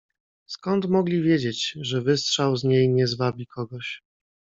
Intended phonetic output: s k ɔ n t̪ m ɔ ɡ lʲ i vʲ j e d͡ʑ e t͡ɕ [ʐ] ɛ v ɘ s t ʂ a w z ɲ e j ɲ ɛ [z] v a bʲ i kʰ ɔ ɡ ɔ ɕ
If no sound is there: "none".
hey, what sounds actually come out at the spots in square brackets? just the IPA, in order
ʐ, z

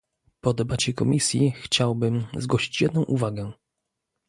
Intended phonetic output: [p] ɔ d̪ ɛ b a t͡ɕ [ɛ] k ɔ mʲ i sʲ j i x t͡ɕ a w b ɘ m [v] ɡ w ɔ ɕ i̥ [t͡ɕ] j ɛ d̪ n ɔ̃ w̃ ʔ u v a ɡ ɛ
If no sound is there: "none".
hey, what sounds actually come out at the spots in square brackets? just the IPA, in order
p, ɛ, z, t͡ɕ

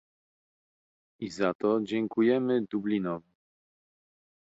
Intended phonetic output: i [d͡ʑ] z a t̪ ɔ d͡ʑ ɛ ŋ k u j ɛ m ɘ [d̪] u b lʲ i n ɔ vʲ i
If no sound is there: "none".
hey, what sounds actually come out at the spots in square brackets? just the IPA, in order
none, d̪

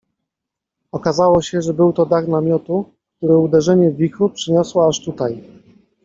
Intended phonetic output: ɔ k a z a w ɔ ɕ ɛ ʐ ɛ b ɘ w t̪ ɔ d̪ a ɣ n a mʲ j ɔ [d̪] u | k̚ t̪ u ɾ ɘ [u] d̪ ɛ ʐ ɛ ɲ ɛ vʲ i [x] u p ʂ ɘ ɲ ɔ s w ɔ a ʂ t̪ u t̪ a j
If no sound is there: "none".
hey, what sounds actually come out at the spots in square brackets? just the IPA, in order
t̪, u, x

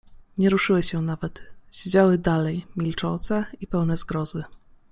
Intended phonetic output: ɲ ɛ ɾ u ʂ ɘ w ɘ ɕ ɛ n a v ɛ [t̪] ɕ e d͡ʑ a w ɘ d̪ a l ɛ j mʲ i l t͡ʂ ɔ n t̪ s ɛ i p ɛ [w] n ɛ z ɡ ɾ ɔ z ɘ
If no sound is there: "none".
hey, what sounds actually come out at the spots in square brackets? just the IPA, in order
t̪, w

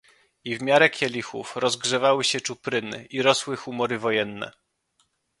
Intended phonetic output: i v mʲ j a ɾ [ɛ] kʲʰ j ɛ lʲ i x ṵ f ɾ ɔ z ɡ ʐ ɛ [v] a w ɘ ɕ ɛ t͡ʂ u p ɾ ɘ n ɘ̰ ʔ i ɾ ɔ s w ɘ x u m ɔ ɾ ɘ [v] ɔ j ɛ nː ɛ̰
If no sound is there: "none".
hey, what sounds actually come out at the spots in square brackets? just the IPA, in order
ɛ, v, v

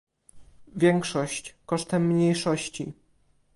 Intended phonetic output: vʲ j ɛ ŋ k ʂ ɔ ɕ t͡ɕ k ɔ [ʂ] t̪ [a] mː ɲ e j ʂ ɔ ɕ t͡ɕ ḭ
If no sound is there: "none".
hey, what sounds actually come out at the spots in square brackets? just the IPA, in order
ʂ, ɛ

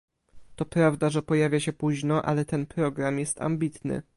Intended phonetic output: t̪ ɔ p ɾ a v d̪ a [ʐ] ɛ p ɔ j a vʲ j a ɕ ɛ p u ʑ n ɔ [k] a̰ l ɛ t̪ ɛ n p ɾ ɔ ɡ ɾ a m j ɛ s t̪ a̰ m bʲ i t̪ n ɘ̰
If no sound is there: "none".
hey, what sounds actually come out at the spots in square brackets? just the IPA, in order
ʐ, ʔ

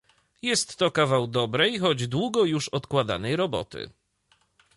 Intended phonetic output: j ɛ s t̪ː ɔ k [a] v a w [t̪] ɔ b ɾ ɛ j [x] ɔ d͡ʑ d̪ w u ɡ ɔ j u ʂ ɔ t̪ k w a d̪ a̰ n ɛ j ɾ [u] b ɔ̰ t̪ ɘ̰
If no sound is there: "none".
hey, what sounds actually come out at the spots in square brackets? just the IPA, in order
a, d̪, x, ɔ

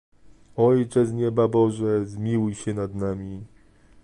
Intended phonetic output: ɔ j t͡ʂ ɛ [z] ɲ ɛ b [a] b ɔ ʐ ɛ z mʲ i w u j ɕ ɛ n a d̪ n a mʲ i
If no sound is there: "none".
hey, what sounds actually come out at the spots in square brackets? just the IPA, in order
z, a

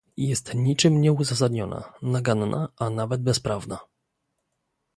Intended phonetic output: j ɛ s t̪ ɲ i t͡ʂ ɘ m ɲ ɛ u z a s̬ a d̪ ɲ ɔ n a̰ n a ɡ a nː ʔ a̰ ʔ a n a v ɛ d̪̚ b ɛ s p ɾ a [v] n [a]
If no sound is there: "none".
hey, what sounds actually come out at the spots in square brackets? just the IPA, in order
v, a

